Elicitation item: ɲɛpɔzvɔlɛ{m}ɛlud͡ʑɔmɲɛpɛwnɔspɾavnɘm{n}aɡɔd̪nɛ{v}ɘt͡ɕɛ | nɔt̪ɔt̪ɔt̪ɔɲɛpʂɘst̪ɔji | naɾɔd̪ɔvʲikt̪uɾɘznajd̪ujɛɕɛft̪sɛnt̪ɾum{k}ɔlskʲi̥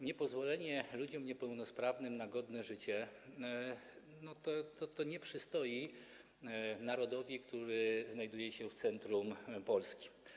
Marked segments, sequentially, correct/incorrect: incorrect: ɲ, correct, incorrect: ʐ, incorrect: p

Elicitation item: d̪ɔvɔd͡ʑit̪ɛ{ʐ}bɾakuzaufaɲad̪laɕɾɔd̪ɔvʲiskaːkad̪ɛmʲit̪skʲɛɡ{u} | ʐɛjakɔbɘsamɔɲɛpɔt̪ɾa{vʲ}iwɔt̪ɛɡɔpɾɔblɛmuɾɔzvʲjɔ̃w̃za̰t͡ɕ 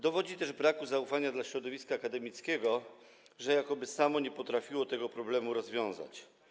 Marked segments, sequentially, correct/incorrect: correct, incorrect: ɔ, incorrect: fʲ

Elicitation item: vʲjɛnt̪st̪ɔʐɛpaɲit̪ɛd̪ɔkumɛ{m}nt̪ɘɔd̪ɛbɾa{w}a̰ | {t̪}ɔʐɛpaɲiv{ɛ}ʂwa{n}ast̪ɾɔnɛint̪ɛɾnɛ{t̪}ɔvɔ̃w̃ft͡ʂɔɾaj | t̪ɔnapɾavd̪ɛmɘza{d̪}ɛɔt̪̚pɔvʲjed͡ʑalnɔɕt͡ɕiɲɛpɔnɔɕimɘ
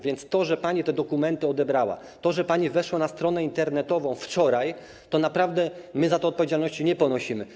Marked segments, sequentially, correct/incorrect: incorrect: none, correct, correct, correct, correct, correct, incorrect: t̪

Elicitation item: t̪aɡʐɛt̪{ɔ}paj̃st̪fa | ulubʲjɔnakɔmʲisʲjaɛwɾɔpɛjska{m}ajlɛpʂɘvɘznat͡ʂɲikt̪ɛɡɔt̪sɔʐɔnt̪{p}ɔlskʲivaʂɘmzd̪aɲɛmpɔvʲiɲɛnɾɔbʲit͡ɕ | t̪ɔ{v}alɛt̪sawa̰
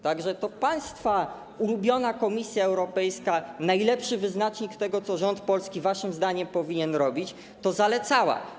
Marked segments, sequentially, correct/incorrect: correct, incorrect: n, correct, incorrect: z

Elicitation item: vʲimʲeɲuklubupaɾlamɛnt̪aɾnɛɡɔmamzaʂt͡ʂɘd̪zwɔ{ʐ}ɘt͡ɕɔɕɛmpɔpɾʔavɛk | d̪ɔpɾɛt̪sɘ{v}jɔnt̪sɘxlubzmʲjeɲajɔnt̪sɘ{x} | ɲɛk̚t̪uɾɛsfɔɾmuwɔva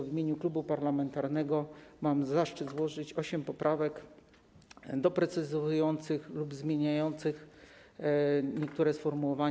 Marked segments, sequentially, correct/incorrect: correct, incorrect: z, correct

